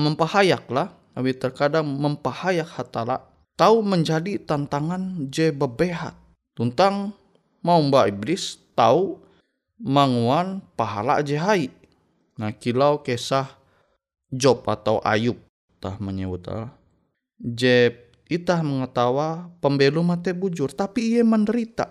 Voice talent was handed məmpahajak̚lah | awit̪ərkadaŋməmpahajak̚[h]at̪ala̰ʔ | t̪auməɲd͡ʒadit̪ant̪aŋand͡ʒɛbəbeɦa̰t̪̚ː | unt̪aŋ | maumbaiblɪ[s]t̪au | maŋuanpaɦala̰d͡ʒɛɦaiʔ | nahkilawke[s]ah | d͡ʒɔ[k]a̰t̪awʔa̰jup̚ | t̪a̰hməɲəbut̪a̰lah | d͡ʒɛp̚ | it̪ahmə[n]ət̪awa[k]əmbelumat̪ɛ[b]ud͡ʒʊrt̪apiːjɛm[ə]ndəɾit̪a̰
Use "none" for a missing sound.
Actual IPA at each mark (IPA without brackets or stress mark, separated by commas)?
h, s, s, p, ŋ, p, b, ə